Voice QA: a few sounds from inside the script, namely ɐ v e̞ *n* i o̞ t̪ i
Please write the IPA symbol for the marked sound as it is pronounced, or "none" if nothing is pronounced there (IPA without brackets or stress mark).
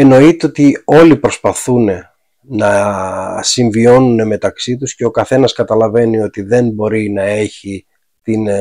n